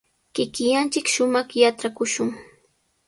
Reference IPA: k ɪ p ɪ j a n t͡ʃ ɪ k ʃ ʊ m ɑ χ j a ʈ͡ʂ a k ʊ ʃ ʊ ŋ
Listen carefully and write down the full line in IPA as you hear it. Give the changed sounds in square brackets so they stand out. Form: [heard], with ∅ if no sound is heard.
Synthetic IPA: k ɪ [k] ɪ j a n t͡ʃ ɪ k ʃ ʊ m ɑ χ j a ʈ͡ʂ a k ʊ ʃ ʊ ŋ